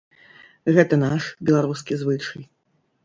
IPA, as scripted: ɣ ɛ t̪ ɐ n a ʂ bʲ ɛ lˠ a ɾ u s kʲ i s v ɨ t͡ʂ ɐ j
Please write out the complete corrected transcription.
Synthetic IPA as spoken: ɣ ɛ t̪ ɐ n a ʂ bʲ ɛ lˠ a ɾ u s kʲ i z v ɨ t͡ʂ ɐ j